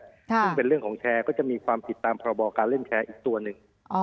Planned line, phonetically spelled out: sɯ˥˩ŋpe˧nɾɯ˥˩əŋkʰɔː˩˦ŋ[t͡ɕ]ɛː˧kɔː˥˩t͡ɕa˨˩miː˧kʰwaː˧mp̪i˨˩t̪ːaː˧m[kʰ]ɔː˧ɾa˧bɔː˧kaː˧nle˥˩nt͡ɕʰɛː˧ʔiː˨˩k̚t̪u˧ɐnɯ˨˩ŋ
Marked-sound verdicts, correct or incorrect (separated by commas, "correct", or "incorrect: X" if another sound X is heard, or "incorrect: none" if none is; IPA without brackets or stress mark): incorrect: t͡ɕʰ, incorrect: pʰ